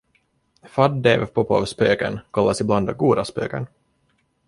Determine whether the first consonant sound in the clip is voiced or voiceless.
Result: voiceless